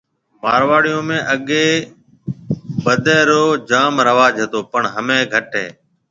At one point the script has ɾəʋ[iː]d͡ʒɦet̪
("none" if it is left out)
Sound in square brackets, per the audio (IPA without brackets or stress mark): aː